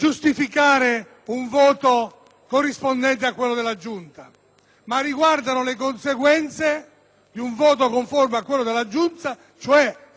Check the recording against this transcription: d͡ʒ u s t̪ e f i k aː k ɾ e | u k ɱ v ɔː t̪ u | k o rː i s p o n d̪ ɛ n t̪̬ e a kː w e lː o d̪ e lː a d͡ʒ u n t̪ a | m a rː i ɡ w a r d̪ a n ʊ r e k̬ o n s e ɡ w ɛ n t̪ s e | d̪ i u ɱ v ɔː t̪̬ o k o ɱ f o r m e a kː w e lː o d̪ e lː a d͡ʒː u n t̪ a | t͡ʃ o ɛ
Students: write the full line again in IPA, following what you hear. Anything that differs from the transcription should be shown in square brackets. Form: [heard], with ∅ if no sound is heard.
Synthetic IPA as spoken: d͡ʒ u s t̪ [i] f i k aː [∅] ɾ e | u [∅] ɱ v ɔː t̪ [o] | k o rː i s p o n d̪ ɛ n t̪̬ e a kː w e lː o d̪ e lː a d͡ʒ u n t̪ a | m a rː i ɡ w a r d̪ a n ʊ [l] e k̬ o n s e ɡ w ɛ n t̪ s e | d̪ i u ɱ v ɔː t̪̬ o k o ɱ f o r m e a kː w e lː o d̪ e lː a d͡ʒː u n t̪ a | t͡ʃ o ɛ